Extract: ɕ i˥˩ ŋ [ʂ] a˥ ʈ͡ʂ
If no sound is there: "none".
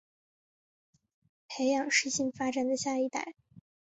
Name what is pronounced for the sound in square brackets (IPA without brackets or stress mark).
f